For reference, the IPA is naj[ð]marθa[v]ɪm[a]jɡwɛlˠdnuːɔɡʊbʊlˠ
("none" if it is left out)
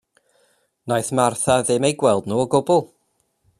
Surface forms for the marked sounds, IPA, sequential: θ, ð, e

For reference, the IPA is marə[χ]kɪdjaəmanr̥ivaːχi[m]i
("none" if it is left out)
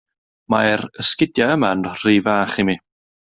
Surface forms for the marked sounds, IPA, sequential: s, m

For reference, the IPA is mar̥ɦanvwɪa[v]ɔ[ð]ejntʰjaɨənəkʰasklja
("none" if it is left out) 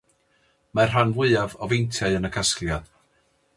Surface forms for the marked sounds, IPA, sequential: v, v

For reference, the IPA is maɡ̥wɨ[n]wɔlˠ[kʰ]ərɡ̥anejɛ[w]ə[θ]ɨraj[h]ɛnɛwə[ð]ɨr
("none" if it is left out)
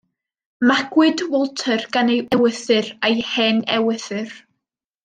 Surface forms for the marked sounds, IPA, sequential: d, tʰ, w, θ, h, θ

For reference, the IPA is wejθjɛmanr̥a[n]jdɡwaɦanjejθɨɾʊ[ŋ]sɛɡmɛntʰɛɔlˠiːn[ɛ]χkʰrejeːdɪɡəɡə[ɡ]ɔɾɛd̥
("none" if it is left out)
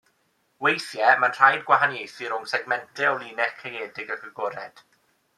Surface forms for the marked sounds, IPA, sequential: none, ŋ, ɛ, ɡ

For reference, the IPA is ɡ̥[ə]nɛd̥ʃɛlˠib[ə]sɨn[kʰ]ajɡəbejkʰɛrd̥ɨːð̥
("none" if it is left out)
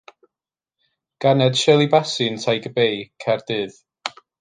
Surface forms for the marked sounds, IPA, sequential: a, a, tʰ

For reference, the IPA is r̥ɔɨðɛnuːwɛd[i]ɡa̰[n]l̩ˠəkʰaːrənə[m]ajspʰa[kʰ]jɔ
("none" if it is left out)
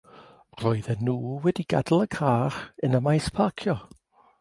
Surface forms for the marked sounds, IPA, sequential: i, d, m, kʰ

